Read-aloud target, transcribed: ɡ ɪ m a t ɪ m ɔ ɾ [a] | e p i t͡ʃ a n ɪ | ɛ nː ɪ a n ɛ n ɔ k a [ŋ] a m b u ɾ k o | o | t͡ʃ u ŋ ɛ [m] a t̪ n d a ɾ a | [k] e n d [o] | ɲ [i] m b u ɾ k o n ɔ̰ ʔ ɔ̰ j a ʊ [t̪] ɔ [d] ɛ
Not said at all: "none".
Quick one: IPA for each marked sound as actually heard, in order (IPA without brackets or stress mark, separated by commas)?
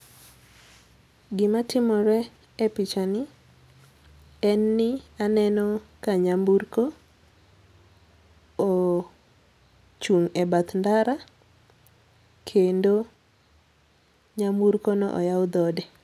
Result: ɛ, ɲ, b, kʰ, o, a, d̪, d